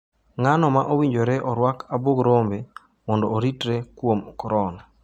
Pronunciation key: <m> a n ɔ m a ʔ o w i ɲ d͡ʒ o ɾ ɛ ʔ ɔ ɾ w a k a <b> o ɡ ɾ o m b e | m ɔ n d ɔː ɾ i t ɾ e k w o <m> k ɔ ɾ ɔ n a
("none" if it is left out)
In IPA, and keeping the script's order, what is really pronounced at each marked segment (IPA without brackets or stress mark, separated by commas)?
ŋ, b, m